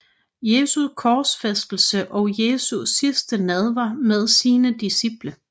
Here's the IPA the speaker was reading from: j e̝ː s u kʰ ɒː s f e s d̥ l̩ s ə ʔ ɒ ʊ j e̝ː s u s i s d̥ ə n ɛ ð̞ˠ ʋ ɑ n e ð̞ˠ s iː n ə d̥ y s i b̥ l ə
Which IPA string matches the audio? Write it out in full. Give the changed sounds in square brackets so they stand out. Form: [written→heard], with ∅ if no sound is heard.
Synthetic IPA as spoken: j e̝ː s u kʰ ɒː s f e s d̥ l̩ s ə ʔ ɒ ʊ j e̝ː s u s i s d̥ ə n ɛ ð̞ˠ ʋ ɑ [n→m] e ð̞ˠ s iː n ə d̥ [y→i] s i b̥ l ə